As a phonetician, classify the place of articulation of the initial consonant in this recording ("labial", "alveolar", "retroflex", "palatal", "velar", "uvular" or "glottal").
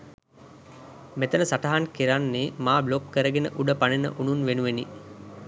labial